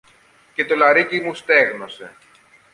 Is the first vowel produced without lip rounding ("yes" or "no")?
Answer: yes